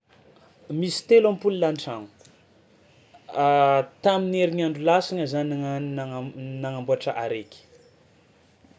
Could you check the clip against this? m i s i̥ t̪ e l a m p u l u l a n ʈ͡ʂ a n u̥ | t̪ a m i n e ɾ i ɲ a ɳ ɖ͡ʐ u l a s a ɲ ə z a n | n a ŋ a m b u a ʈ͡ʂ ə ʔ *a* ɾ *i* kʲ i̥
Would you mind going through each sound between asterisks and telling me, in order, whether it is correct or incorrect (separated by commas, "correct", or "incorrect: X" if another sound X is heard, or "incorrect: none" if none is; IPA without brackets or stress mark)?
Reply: correct, incorrect: e